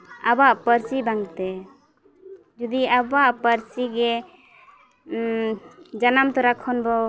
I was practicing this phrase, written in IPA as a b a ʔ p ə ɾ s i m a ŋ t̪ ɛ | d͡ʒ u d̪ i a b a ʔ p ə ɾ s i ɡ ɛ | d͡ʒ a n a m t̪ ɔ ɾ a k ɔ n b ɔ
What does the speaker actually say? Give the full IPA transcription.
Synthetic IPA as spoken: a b a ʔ p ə ɾ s i b a ŋ t̪ ɛ | d͡ʒ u d̪ i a b a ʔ p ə ɾ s i ɡ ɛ | d͡ʒ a n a m t̪ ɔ ɾ a kʰ ɔ n b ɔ